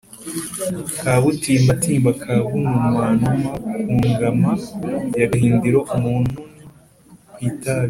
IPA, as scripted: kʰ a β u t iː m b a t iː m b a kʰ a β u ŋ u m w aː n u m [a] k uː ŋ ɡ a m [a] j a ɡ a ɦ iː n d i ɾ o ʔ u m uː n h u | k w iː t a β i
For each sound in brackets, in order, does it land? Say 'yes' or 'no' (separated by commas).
yes, yes